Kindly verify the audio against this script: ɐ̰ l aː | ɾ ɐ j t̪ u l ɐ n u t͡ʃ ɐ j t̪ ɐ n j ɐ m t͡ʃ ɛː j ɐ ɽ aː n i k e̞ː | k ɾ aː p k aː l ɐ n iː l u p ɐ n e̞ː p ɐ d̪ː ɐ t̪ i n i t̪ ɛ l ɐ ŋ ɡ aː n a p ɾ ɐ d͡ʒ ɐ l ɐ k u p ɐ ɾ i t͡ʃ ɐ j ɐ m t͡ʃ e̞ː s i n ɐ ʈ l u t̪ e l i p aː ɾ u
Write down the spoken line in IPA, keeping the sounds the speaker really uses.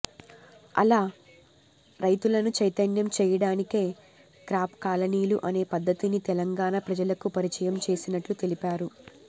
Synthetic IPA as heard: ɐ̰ l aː | ɾ ɐ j t̪ u l ɐ n u t͡ʃ ɐ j t̪ ɐ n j ɐ m t͡ʃ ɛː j ɐ ɽ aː n i k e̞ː | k ɾ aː p k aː l ɐ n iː l u ʔ ɐ n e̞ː p ɐ d̪ː ɐ t̪ i n i t̪ ɛ l ɐ ŋ ɡ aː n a p ɾ ɐ d͡ʒ ɐ l ɐ k u p ɐ ɾ i t͡ʃ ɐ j ɐ m t͡ʃ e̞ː s i n ɐ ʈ l u t̪ e l i p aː ɾ u